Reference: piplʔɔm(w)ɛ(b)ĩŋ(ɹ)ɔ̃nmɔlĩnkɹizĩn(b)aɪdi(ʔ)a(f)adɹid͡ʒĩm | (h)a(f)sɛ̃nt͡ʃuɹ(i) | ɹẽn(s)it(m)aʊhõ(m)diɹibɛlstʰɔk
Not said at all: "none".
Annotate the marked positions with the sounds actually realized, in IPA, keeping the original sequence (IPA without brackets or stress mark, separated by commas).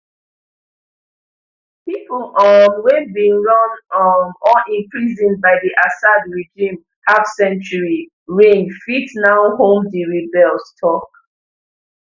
w, b, ɹ, b, ʔ, s, h, f, i, f, n, m